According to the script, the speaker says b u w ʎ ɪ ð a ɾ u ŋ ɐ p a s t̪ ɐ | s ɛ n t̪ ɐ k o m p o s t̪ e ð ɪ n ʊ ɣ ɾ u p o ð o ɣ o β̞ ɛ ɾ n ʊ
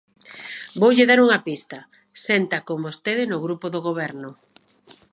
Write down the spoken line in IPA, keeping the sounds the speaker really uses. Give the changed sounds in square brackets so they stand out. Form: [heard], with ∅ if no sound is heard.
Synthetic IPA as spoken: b [o] w ʎ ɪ ð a ɾ u ŋ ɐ p [i] s t̪ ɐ | s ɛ n t̪ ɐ k o m [b] o s t̪ e ð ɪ n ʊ ɣ ɾ u p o ð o ɣ o β̞ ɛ ɾ n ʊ